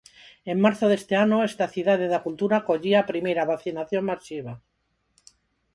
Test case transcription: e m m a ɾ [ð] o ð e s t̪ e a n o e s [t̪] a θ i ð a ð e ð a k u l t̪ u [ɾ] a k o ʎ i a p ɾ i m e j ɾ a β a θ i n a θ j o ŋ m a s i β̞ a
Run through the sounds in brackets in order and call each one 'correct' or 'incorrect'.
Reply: incorrect, correct, correct

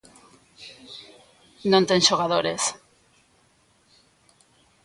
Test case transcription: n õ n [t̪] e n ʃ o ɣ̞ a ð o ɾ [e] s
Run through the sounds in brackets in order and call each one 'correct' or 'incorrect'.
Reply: correct, correct

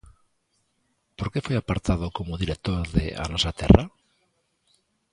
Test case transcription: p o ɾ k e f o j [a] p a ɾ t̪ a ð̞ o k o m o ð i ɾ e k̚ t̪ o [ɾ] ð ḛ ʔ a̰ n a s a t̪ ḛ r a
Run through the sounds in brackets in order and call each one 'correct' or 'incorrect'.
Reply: correct, correct

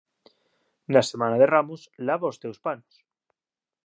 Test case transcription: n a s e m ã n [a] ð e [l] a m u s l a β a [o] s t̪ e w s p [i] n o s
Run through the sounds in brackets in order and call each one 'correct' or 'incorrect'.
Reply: correct, incorrect, correct, incorrect

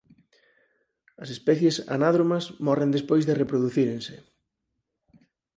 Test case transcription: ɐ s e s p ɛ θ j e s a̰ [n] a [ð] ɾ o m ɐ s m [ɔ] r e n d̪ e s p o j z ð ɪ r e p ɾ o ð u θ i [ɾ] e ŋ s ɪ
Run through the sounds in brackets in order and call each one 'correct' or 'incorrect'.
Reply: correct, correct, correct, correct

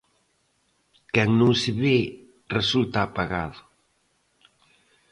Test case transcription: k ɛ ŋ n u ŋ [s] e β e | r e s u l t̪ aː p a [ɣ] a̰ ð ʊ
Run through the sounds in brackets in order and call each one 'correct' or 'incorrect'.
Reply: correct, correct

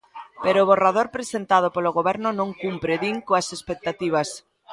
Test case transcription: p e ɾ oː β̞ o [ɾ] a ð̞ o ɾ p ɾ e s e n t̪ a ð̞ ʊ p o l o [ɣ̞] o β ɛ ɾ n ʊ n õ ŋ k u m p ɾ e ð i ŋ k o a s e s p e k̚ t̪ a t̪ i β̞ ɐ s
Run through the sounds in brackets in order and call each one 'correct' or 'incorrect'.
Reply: incorrect, correct

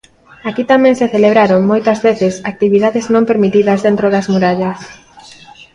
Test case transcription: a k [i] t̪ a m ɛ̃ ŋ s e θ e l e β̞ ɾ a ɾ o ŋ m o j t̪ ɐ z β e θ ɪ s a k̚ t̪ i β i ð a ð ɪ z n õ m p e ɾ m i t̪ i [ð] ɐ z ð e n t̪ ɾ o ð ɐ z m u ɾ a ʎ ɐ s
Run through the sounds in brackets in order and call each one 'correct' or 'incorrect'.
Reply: correct, correct

